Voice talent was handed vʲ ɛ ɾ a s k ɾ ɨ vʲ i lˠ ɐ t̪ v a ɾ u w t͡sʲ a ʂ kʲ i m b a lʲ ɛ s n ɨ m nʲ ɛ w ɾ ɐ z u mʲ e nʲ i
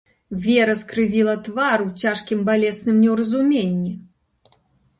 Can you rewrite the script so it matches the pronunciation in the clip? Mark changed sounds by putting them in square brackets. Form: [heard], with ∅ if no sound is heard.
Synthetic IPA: vʲ ɛ ɾ [ɐ] s k ɾ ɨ vʲ i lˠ ɐ t̪ v a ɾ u w t͡sʲ a ʂ kʲ i m b a lʲ ɛ s n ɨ m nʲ ɛ w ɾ ɐ z u mʲ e [nʲː] i